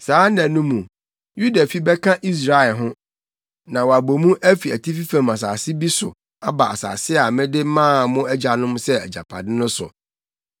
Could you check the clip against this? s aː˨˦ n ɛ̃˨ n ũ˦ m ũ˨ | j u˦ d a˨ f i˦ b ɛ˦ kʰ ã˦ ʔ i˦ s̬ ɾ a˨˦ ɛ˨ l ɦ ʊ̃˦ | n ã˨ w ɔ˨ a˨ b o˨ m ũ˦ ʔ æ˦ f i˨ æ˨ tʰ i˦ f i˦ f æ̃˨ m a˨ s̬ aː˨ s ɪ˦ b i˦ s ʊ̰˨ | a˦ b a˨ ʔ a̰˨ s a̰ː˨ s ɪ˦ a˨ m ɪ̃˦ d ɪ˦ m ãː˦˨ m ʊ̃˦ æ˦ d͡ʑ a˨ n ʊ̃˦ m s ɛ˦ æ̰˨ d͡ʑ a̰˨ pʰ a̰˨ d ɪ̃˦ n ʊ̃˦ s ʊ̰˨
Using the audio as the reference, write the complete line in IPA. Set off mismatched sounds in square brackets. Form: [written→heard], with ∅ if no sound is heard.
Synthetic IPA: s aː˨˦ n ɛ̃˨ n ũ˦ m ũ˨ | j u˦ d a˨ f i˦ b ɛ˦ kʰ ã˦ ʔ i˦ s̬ ɾ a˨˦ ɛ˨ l ɦ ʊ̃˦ | n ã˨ w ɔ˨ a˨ b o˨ m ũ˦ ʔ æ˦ f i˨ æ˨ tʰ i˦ f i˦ f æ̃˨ m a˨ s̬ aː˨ s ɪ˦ b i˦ s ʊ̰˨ | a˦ b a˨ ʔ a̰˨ s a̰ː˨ s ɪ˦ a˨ m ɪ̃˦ d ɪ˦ m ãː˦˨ m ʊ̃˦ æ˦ d͡ʑ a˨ n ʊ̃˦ m s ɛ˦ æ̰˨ d͡ʑ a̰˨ pʰ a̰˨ d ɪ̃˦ n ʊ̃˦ s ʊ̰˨